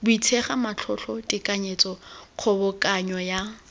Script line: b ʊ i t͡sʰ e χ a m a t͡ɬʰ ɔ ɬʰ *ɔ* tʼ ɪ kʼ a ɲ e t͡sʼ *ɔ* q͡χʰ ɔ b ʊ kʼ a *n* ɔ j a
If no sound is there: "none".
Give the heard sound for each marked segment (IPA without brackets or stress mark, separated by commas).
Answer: ɔ, ɔ, ɲ